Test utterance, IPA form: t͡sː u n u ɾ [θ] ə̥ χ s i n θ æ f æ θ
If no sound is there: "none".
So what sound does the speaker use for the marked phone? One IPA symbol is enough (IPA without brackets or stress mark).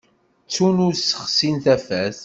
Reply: s